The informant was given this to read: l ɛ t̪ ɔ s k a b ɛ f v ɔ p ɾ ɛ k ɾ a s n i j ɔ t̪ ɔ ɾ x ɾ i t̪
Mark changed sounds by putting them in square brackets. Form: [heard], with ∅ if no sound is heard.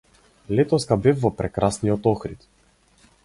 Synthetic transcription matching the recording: l ɛ t̪ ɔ s k a b ɛ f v ɔ p ɾ ɛ k ɾ a s n i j ɔ t̪ ɔ [∅] x ɾ i t̪

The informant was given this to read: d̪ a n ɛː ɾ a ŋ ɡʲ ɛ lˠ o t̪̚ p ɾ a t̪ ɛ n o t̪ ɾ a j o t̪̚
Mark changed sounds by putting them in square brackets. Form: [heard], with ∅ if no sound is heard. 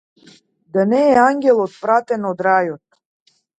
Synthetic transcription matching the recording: d̪ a n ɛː [∅] a ŋ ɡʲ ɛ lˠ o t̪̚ p ɾ a t̪ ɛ n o [d̪] ɾ a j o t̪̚

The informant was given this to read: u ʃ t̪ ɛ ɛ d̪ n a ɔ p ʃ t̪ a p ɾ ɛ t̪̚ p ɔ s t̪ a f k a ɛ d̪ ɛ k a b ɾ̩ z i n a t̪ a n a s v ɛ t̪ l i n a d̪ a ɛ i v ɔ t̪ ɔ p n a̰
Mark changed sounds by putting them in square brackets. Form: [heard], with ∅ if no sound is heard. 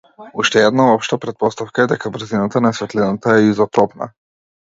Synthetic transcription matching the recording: u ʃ t̪ ɛ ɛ d̪ n a ɔ p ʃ t̪ a p ɾ ɛ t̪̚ p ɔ s t̪ a f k a ɛ d̪ ɛ k a b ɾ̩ z i n a t̪ a n a s v ɛ t̪ l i n a [t̪] a ɛ i [z] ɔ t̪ ɔ p n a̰

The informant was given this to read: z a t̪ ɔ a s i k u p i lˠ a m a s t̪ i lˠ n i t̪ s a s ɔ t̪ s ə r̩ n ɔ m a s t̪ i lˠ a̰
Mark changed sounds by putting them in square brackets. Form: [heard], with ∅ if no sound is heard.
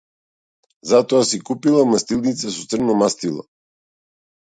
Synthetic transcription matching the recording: z a t̪ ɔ a s i k u p i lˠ a m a s t̪ i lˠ n i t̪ s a s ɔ t̪ s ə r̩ n ɔ m a s t̪ i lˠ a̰

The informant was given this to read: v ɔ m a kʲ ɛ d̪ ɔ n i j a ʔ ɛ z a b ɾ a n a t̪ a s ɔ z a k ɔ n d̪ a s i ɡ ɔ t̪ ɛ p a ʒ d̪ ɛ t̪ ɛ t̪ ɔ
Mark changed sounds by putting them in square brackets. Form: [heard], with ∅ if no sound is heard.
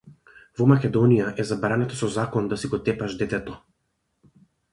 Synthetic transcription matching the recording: v ɔ m a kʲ ɛ d̪ ɔ n i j a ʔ ɛ z a b ɾ a n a t̪ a s ɔ z a k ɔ n d̪ a s i ɡ ɔ t̪ ɛ p a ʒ d̪ ɛ t̪ ɛ t̪ ɔ

